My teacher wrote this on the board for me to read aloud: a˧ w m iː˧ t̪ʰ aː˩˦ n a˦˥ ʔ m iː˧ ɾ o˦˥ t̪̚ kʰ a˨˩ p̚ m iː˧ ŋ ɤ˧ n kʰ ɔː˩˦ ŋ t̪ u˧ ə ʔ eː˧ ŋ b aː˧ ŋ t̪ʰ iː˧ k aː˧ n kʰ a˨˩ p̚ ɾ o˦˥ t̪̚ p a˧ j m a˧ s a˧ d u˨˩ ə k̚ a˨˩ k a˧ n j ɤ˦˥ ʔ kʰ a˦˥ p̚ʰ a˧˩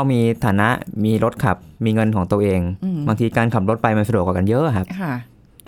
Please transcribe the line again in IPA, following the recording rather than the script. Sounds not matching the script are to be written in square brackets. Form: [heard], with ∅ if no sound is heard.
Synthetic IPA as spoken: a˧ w m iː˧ t̪ʰ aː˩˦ n a˦˥ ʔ m iː˧ ɾ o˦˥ t̪̚ kʰ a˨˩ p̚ m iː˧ ŋ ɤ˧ n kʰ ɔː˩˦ ŋ t̪ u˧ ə ʔ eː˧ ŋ b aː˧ ŋ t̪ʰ iː˧ k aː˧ n kʰ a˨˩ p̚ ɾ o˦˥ t̪̚ p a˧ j m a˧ s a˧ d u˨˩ ə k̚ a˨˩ k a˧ n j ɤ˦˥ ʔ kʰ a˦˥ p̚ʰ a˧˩